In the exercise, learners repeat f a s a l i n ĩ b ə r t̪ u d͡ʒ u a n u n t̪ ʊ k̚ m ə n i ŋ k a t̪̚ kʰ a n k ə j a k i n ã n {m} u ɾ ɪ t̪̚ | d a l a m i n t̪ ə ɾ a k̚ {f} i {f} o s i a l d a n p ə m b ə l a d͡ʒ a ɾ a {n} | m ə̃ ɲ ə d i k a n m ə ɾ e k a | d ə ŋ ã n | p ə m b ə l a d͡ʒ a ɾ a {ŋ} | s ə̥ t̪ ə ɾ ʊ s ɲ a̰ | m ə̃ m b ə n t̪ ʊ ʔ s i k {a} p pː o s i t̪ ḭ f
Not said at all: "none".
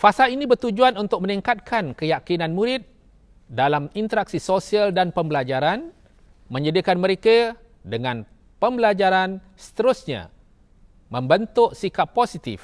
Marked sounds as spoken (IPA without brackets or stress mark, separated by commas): m, s, s, n, n, a